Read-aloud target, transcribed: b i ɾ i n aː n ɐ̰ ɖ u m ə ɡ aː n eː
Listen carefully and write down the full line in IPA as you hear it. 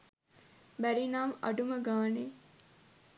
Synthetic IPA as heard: b æ ɾ i n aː m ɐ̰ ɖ u m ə ɡ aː n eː